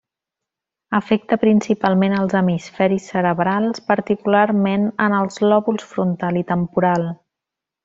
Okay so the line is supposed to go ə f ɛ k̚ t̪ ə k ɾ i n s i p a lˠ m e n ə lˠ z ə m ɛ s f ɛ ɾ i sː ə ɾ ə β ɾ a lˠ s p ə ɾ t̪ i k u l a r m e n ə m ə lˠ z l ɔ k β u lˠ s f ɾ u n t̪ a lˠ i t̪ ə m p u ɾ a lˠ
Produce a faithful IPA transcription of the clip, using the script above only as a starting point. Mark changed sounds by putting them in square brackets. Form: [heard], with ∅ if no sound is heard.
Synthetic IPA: ə f ɛ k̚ t̪ ə [p] ɾ i n s i p a lˠ m e n ə lˠ z ə m [i] s f ɛ ɾ i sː ə ɾ ə β ɾ a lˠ s p ə ɾ t̪ i k u l a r m e n ə [n] ə lˠ z l ɔ [∅] β u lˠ s f ɾ u n t̪ a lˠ i t̪ ə m p u ɾ a lˠ